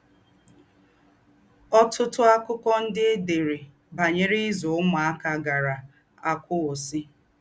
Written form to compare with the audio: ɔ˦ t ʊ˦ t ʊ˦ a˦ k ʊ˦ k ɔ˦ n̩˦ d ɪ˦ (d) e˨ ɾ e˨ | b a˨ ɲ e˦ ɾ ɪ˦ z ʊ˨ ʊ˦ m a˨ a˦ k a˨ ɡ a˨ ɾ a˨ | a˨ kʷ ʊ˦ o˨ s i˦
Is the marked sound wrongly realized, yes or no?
no